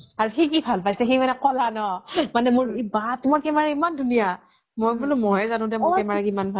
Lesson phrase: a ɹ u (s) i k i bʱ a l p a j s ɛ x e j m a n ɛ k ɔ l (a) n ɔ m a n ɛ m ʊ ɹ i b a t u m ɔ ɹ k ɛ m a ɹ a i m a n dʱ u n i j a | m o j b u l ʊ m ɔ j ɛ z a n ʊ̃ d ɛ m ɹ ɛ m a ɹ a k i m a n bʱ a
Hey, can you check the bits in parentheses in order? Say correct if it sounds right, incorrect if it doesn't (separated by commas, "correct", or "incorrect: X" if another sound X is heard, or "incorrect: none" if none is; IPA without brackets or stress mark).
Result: incorrect: x, correct